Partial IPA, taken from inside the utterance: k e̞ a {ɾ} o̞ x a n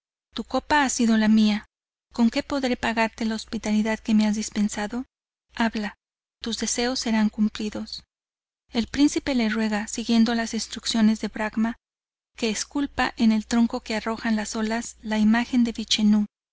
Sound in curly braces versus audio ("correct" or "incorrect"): incorrect